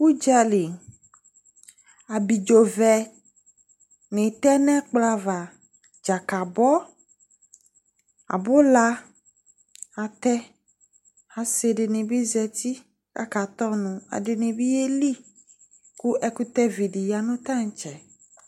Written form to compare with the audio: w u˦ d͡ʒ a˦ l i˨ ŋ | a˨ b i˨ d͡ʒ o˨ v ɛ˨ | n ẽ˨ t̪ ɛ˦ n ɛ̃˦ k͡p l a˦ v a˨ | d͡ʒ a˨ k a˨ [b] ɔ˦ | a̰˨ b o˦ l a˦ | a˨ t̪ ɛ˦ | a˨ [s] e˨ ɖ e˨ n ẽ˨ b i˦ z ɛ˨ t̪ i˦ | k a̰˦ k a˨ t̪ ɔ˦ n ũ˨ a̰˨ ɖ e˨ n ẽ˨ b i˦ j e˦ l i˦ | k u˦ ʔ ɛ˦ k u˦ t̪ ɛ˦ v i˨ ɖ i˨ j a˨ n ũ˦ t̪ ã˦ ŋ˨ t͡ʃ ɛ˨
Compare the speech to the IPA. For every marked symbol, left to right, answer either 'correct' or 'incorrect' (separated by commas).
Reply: correct, correct